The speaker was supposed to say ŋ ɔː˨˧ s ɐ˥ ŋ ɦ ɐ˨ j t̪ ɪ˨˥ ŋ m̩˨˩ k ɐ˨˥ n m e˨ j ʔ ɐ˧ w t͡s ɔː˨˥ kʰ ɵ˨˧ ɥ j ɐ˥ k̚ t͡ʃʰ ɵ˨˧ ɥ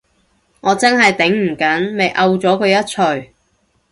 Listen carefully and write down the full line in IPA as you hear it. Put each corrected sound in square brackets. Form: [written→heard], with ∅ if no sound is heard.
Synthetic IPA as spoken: ŋ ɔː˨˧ [s→t͡s] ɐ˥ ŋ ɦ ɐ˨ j t̪ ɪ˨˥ ŋ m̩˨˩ k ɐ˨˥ n m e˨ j ʔ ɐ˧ w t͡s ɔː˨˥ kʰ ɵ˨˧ ɥ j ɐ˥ [k̚→t̚] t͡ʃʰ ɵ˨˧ ɥ